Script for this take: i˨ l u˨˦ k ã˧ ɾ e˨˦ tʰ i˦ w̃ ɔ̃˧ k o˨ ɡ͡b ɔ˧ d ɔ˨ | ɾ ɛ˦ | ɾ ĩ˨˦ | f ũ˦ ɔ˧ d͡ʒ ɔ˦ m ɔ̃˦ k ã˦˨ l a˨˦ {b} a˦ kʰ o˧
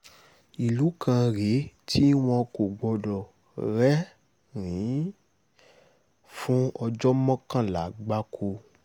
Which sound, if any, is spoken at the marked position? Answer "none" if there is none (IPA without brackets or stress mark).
ɡ͡b